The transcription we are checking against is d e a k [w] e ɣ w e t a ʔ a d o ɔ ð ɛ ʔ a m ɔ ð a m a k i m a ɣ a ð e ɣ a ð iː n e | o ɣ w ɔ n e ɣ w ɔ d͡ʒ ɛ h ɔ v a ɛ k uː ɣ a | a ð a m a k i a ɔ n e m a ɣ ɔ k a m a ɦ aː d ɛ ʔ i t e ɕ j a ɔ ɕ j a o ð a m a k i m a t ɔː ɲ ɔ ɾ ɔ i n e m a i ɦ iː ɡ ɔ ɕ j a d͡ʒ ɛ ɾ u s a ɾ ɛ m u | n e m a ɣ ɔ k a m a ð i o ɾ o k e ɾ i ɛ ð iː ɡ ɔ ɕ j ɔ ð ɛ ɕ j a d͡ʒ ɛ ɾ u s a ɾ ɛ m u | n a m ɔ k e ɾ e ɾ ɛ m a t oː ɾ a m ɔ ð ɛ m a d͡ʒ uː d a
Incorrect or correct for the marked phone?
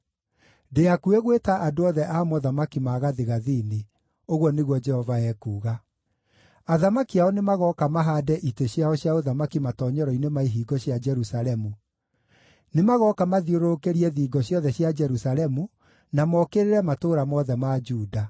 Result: incorrect: u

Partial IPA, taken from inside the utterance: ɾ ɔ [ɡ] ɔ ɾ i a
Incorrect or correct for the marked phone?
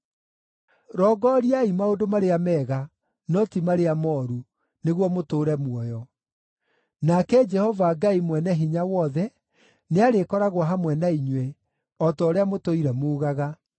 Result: correct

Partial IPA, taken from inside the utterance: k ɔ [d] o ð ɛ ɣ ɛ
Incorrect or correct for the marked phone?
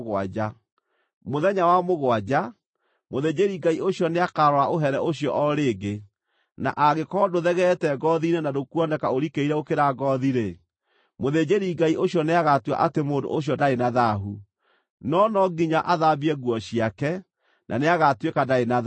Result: correct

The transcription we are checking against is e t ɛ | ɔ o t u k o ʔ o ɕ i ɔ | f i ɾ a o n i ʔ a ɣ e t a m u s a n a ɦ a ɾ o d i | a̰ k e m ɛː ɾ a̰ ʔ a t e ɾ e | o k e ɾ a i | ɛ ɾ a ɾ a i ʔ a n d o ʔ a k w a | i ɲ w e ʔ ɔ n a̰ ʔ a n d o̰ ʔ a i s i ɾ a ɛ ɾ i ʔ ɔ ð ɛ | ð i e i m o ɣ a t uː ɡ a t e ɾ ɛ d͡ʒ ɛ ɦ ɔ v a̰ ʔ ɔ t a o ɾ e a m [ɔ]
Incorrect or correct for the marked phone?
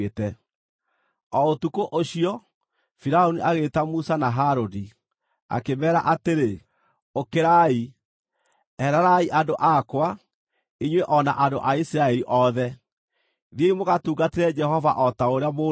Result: incorrect: o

